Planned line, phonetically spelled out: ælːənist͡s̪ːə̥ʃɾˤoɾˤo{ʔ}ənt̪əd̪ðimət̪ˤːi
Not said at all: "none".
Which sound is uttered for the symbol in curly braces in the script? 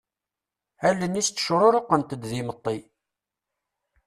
q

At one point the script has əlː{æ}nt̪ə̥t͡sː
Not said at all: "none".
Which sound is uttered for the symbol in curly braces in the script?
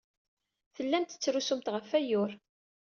æ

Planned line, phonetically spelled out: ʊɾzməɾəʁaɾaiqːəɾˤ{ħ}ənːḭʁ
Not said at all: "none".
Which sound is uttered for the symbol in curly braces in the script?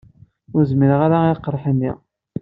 ħ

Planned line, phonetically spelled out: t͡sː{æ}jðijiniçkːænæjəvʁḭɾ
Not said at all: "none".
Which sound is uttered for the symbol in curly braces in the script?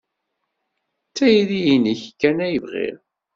æ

